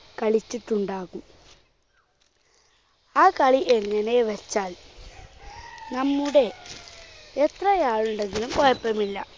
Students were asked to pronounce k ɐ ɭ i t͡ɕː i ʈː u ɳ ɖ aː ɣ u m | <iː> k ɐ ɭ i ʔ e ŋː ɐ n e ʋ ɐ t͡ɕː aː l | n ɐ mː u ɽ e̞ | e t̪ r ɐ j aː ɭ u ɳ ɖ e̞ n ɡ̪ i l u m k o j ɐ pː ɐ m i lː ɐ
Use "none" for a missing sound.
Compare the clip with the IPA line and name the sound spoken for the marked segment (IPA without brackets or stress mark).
aː